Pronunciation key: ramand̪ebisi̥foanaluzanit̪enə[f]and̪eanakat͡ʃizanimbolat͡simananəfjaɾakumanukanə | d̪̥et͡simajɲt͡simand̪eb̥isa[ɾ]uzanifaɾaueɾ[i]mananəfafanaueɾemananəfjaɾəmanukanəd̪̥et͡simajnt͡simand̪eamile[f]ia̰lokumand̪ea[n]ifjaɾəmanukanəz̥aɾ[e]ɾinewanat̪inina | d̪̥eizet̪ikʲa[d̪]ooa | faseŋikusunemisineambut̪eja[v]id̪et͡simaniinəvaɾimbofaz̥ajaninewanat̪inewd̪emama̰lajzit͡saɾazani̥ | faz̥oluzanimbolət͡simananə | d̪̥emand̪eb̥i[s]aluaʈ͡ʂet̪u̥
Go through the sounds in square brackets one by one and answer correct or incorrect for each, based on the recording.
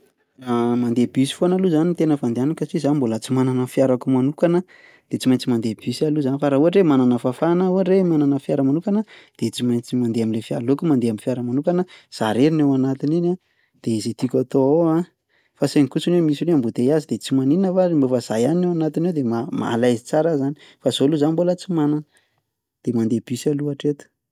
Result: correct, incorrect: l, incorrect: e, correct, incorrect: m, correct, incorrect: t̪, incorrect: z, correct

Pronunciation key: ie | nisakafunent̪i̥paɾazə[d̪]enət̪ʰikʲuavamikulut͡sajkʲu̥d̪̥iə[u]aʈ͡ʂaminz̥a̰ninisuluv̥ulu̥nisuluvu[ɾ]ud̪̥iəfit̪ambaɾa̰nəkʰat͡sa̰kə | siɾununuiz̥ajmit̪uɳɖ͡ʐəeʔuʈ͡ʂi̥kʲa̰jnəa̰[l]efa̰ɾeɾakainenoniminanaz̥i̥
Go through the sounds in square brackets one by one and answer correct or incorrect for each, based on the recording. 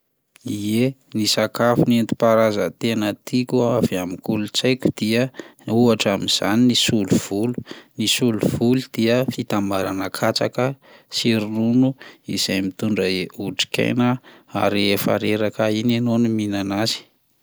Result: incorrect: t̪, correct, incorrect: l, incorrect: ɾ

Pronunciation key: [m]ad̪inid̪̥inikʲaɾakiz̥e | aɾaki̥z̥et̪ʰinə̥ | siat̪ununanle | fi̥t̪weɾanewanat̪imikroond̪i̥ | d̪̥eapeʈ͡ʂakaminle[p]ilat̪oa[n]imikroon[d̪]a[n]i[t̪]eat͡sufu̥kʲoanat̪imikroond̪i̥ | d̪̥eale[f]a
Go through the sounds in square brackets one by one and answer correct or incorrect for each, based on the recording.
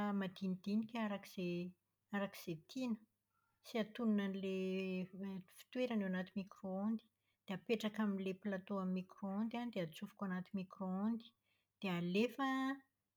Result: correct, correct, incorrect: m, correct, correct, incorrect: d̪, correct

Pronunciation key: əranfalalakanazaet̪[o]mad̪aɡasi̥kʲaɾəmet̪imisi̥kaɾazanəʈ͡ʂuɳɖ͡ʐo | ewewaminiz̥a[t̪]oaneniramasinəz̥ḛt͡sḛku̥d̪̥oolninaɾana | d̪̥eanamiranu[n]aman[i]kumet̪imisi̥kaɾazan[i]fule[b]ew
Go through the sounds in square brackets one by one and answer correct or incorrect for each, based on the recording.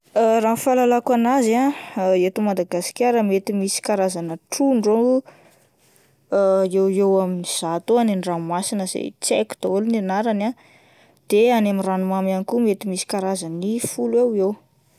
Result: incorrect: u, correct, incorrect: m, correct, correct, incorrect: w

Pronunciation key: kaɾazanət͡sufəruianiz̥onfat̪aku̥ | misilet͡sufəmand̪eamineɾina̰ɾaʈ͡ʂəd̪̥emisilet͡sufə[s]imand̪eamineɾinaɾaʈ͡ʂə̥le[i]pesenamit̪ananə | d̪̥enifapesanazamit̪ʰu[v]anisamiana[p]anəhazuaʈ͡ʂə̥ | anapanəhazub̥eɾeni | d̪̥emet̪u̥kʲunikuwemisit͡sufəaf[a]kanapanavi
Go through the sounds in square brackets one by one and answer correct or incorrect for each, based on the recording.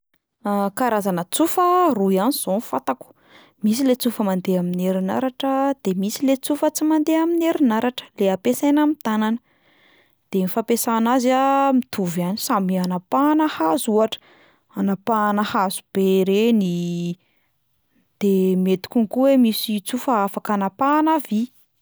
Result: incorrect: t͡s, incorrect: a, correct, correct, correct

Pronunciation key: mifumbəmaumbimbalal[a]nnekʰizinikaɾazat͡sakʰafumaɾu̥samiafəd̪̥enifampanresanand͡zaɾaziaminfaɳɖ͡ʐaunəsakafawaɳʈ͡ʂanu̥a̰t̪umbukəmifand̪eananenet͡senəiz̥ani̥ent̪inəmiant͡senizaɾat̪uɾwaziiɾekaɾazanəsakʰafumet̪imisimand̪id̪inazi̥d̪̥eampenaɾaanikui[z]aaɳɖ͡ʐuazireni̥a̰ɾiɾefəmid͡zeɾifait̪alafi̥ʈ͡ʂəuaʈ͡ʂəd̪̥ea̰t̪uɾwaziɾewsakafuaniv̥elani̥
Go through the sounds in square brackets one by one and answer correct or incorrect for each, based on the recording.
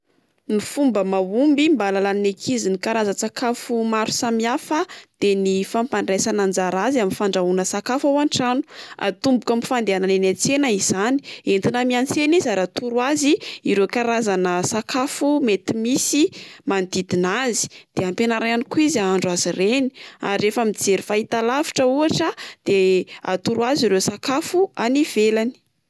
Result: correct, correct

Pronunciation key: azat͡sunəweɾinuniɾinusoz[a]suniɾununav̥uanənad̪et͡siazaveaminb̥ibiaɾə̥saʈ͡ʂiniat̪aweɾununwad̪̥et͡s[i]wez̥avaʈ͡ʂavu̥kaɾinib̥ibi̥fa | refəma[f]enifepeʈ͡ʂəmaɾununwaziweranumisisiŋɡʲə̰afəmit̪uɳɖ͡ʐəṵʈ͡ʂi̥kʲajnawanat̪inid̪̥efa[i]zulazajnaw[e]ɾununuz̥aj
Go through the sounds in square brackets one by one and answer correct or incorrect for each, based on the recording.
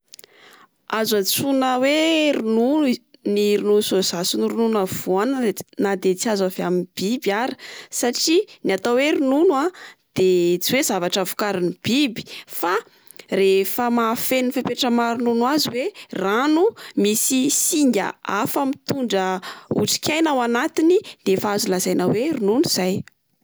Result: correct, correct, correct, incorrect: a, correct

